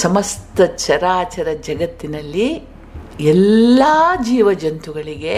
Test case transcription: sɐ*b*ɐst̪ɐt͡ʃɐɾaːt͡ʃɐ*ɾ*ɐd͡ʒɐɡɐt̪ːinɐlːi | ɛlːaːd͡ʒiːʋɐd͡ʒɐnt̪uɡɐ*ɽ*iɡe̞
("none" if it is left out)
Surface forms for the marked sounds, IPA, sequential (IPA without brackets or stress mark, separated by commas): m, ɾ, ɭ